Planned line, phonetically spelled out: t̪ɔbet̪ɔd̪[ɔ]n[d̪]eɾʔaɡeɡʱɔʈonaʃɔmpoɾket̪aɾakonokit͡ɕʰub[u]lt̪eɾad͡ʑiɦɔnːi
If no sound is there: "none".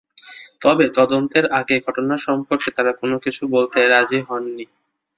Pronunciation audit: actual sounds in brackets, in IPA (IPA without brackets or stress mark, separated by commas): o, t̪, o